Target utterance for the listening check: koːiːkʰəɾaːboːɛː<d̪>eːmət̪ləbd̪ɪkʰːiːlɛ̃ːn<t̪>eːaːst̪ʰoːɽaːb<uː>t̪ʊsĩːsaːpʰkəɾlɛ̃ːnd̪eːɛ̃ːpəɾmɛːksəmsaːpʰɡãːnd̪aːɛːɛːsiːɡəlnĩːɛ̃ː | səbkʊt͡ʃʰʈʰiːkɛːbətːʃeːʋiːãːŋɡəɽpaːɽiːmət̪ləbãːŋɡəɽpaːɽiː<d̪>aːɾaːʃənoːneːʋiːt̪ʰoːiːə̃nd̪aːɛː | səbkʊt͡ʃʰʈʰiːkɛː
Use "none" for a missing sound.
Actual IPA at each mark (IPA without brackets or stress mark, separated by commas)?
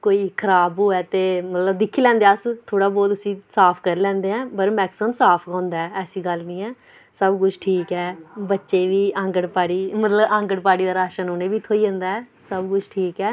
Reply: t̪, d̪, ɔː, d̪